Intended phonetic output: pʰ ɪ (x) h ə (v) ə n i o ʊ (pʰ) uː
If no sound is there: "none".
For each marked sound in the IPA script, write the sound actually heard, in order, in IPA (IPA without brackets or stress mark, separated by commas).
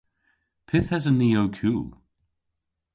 θ, z, kʰ